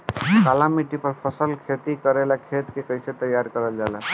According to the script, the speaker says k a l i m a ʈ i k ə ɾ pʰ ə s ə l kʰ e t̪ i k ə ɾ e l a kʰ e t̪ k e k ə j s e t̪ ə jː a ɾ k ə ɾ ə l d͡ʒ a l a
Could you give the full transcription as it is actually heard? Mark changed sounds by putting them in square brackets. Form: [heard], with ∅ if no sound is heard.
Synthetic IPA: k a l [a] m [i] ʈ i [p] ə ɾ pʰ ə s ə l kʰ e t̪ i k ə ɾ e l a kʰ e t̪ k e k ə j s e t̪ ə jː a ɾ k ə ɾ ə l d͡ʒ a l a